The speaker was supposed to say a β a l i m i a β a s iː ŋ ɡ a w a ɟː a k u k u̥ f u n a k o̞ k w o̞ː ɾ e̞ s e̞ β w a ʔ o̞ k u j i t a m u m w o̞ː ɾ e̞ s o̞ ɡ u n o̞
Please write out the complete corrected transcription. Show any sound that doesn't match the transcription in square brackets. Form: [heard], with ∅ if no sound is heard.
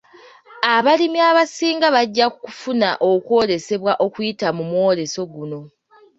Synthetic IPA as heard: a β a l i m i a β a s iː ŋ ɡ a [β] a ɟː a k u k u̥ f u n a [ʔ] o̞ k w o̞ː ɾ e̞ s e̞ β w a ʔ o̞ k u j i t a m u m w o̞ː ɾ e̞ s o̞ ɡ u n o̞